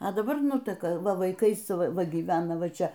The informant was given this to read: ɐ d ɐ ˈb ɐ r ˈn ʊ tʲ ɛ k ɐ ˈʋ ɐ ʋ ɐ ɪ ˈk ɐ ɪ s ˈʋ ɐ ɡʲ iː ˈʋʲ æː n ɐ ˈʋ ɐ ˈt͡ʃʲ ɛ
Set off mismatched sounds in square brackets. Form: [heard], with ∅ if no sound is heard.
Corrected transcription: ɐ d ɐ ˈb ɐ r ˈn ʊ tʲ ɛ k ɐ ˈʋ ɐ ʋ ɐ ɪ ˈk ɐ ɪ s ˈʋ ɐ ɡʲ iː ˈʋʲ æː n ɐ ˈʋ ɐ ˈt͡ʃʲ ɛ